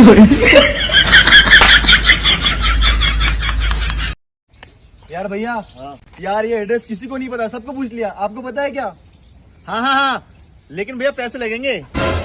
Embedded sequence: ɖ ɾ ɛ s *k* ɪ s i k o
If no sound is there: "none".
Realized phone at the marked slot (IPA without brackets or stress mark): k